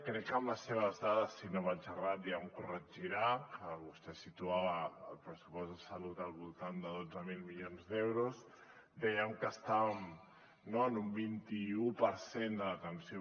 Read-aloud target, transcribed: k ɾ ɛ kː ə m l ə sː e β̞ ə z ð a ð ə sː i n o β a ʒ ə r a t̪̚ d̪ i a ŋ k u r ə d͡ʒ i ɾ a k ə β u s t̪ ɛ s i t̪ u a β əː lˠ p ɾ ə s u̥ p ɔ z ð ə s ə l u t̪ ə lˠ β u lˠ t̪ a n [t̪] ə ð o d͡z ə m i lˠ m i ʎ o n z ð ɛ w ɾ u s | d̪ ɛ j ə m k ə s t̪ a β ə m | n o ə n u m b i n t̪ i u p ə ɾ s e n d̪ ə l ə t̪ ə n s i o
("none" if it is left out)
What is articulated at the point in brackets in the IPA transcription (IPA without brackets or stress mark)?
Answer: d̪